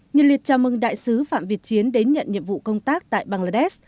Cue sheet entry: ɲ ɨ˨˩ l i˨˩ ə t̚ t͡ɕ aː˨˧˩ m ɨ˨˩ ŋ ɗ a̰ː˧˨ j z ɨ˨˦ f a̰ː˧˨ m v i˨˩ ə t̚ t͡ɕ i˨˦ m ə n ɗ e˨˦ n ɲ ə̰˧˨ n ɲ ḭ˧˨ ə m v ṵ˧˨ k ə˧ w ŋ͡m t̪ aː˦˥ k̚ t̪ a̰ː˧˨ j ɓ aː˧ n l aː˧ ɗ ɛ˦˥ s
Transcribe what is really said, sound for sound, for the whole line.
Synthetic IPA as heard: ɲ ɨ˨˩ l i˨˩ ə t̚ t͡ɕ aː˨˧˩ m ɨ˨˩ ŋ ɗ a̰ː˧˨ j s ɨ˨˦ f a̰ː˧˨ m v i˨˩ ə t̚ t͡ɕ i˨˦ ə n ɗ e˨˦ n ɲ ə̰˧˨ n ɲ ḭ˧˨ ə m v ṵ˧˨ k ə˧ w ŋ͡m t̪ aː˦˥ k̚ t̪ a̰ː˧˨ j ɓ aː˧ ŋ l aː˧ ɗ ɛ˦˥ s